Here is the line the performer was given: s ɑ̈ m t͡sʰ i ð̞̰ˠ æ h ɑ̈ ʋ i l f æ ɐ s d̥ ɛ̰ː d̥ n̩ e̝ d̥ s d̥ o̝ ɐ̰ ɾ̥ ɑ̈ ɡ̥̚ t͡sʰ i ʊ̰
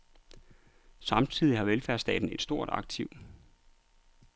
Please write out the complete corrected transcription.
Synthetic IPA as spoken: s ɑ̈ m t͡sʰ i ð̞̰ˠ i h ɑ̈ ʋ e l f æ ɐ s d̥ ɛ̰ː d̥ n̩ e̝ d̥ s d̥ o̝ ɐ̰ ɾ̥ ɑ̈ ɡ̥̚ t͡sʰ i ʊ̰